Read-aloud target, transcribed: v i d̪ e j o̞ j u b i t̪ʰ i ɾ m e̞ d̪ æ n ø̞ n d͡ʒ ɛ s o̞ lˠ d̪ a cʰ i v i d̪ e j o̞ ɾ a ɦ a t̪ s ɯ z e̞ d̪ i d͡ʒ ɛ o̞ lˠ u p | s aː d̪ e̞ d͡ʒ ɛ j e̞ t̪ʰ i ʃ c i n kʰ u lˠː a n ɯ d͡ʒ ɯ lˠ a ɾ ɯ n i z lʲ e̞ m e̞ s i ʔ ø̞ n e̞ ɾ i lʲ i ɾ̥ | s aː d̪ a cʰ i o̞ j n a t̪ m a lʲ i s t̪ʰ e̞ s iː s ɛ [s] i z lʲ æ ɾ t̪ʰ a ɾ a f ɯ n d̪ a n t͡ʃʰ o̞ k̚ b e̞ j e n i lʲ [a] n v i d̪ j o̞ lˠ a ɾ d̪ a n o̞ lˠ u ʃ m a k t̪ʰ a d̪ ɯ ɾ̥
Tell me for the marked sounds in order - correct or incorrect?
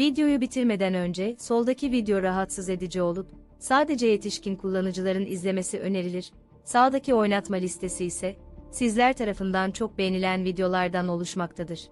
correct, incorrect

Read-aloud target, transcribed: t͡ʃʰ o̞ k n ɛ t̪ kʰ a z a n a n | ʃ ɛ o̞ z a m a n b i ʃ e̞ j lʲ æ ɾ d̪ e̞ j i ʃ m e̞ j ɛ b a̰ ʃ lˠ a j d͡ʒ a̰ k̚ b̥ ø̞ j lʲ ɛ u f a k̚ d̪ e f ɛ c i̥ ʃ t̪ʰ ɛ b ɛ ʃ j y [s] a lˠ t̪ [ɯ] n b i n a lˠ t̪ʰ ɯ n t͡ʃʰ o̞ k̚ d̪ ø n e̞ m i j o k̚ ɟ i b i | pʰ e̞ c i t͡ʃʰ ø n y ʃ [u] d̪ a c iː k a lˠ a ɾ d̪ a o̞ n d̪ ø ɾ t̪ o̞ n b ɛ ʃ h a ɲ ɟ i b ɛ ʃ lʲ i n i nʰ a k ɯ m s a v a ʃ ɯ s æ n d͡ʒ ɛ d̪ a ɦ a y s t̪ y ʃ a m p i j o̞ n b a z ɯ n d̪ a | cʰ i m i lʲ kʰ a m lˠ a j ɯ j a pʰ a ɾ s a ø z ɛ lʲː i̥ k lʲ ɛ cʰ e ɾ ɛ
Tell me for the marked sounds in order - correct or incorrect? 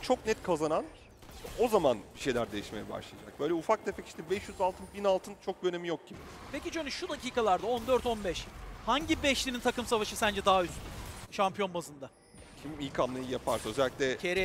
incorrect, correct, correct

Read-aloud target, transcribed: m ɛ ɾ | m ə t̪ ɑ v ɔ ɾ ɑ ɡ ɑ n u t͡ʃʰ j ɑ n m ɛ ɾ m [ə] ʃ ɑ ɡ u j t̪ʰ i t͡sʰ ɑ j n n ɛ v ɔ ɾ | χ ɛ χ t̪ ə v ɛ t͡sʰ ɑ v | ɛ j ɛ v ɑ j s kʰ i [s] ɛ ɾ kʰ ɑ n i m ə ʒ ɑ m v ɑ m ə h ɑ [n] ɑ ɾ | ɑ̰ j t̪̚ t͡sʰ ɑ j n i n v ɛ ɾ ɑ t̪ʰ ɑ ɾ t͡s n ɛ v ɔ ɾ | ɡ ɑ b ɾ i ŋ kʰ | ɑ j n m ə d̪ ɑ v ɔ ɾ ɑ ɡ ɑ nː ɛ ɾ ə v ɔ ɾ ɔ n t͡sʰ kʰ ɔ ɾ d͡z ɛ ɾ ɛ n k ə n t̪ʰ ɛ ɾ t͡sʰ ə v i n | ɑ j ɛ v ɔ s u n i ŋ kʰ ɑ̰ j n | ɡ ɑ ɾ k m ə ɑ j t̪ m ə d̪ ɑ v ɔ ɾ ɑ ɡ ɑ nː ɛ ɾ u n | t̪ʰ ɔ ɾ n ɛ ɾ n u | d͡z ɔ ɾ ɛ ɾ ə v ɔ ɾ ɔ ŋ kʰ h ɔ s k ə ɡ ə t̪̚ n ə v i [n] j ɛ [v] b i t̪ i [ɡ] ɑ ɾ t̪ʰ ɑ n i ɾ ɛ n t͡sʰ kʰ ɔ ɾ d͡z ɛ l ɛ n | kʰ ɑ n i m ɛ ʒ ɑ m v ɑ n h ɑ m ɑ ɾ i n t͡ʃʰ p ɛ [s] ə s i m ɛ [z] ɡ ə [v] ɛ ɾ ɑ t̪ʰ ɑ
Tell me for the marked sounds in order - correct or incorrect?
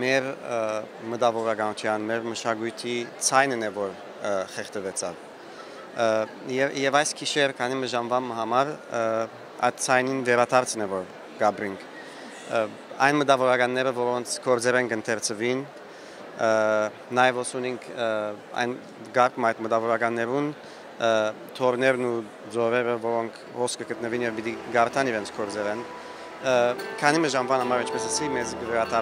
correct, incorrect, incorrect, correct, correct, correct, correct, correct, correct

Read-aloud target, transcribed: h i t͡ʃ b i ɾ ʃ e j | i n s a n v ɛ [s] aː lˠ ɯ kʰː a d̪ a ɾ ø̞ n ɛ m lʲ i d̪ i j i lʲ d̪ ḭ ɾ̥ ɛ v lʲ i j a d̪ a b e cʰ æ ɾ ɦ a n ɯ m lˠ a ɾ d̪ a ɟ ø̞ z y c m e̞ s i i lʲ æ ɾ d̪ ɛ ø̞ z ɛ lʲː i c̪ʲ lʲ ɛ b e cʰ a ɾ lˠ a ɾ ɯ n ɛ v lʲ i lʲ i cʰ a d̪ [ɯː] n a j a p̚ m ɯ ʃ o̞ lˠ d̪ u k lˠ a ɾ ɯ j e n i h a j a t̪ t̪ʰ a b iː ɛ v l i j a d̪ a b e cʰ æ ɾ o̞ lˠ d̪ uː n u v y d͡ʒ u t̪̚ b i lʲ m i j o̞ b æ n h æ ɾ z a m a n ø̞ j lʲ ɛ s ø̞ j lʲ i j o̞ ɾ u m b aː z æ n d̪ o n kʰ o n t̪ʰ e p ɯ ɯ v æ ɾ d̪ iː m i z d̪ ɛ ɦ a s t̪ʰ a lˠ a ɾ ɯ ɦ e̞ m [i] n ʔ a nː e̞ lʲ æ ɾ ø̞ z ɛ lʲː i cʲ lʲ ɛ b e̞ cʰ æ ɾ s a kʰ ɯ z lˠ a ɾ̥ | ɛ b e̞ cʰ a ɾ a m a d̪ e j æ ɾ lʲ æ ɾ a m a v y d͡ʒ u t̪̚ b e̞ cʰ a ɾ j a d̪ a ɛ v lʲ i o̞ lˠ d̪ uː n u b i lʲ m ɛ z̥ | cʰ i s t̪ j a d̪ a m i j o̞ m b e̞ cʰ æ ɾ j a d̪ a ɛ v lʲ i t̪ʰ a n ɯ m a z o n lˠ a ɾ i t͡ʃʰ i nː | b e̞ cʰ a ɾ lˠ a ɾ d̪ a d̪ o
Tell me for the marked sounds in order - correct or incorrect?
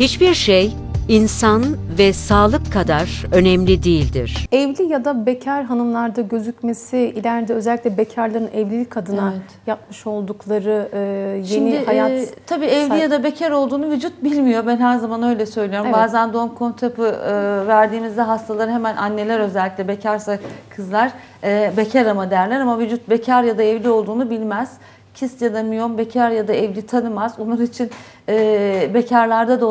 correct, incorrect, incorrect

